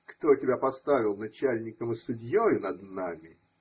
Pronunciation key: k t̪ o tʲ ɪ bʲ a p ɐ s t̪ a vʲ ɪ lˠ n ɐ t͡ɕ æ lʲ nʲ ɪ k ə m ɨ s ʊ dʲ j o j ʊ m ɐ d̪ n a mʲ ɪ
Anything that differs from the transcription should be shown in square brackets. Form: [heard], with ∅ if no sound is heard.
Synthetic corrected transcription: k t̪ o tʲ ɪ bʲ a p ɐ s t̪ a vʲ ɪ lˠ n ɐ t͡ɕ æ lʲ nʲ ɪ k ə m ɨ s ʊ dʲ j o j ʊ [n] ɐ d̪ n a mʲ ɪ